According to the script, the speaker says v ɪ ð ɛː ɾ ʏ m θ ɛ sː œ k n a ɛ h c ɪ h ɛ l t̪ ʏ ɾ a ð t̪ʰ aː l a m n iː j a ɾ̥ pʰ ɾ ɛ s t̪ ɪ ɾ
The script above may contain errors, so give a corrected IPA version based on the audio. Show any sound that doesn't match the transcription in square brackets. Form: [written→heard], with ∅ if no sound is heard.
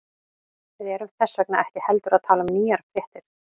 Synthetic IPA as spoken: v ɪ ð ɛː ɾ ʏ m θ ɛ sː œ k n a ɛ h c ɪ h ɛ l t̪ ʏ ɾ a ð t̪ʰ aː l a m n iː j a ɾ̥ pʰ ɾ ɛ [s→h] t̪ ɪ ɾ